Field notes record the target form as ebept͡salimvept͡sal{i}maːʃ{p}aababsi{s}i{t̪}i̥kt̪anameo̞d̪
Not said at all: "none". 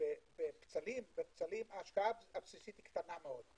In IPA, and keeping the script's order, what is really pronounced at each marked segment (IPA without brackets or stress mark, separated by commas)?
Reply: i, k, s, t̪